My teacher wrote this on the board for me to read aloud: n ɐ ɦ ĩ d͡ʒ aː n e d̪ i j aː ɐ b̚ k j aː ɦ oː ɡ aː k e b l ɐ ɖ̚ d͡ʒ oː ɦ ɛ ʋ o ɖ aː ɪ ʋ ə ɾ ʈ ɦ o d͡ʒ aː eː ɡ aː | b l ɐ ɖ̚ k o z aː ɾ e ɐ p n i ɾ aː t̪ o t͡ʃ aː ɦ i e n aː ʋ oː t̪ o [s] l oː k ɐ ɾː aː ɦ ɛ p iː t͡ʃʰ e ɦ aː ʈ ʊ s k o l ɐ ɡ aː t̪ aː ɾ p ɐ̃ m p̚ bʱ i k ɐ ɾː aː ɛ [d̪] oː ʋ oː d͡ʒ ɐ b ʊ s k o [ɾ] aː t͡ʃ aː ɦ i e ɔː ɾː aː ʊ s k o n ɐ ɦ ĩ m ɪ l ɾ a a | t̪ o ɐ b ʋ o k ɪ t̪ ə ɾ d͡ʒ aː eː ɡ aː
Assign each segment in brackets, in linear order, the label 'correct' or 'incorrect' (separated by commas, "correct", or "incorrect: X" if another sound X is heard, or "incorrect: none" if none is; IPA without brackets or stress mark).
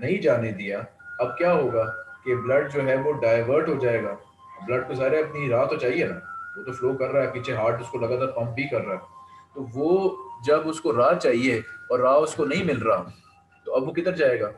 incorrect: f, incorrect: t̪, correct